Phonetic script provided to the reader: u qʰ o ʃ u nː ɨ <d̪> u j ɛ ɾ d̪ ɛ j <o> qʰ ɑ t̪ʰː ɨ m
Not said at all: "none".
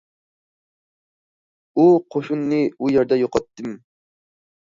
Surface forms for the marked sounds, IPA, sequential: none, o

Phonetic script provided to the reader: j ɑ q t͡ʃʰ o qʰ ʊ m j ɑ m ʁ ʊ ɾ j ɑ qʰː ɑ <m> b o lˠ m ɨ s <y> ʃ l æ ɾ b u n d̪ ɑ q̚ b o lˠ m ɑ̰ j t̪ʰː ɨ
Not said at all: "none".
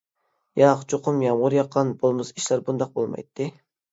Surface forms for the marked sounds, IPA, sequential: n, i

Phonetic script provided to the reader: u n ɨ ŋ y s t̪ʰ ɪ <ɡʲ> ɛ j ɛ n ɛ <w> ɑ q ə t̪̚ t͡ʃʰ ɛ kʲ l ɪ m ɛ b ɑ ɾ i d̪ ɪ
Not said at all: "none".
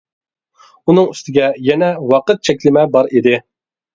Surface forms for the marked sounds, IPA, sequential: ɡʲ, w

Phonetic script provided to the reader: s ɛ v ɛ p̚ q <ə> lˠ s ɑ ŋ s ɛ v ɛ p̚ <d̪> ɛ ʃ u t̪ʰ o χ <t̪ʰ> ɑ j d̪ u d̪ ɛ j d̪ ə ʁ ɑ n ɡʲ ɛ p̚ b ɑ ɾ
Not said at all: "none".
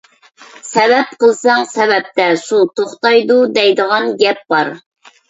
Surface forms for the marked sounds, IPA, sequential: ə, t̪, t̪

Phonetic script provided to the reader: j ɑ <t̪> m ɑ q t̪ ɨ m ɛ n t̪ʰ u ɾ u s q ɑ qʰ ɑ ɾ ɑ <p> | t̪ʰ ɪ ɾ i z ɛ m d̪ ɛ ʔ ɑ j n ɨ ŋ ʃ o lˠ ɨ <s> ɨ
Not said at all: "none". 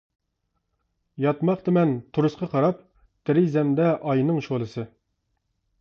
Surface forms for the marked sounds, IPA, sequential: t̪, p, s

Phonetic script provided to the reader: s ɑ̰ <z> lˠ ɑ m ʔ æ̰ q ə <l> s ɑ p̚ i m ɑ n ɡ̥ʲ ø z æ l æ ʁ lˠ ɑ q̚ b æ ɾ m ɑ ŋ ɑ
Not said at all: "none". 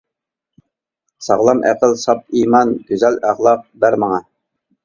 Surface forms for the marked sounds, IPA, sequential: ʁ, l

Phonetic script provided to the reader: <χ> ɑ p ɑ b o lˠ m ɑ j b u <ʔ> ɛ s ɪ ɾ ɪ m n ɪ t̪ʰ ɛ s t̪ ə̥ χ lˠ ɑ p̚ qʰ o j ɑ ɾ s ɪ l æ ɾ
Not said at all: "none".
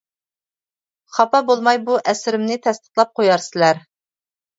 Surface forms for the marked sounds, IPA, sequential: χ, ʔ

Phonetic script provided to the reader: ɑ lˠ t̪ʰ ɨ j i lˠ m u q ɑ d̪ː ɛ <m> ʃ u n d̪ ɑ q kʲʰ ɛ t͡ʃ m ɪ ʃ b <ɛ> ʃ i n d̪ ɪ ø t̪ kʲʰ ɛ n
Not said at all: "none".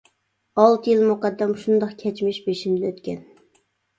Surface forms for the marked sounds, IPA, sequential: m, e

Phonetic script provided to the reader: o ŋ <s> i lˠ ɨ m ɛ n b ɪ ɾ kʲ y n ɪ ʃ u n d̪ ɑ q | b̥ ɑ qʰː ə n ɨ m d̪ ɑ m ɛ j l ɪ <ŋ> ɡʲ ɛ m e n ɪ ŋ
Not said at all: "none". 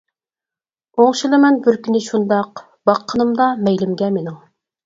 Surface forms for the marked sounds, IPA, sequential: ʃ, m

